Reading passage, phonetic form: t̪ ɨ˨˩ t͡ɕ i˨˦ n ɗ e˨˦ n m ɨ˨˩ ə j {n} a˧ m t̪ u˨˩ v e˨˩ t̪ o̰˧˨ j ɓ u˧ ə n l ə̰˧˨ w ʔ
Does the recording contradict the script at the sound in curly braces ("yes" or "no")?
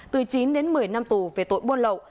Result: no